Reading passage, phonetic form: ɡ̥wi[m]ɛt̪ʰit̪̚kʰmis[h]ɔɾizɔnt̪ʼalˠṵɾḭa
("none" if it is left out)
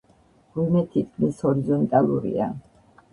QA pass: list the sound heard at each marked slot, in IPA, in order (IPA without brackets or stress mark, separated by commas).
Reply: m, h